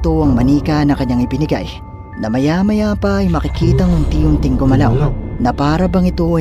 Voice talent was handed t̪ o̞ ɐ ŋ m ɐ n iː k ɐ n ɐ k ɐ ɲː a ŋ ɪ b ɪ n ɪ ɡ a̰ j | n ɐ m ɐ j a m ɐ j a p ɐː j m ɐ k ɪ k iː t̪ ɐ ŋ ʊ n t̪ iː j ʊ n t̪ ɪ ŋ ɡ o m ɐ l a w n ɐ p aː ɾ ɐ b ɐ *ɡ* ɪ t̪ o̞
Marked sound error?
yes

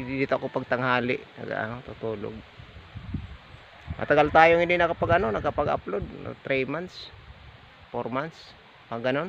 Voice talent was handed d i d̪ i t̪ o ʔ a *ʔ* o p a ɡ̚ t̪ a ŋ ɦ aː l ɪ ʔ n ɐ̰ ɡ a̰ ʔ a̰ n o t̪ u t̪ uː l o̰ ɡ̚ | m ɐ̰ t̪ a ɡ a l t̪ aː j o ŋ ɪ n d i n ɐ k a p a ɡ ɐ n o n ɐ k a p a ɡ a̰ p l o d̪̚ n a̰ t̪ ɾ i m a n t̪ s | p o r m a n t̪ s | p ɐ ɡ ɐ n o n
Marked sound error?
yes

